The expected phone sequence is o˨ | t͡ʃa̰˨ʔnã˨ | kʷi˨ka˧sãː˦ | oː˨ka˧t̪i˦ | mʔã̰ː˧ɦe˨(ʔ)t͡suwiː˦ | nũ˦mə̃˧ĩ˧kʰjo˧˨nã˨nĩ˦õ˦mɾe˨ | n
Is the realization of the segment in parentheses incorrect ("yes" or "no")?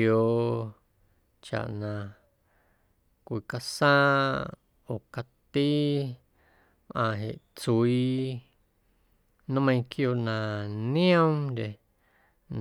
no